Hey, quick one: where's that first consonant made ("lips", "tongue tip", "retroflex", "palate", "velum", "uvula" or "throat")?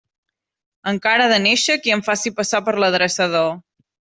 velum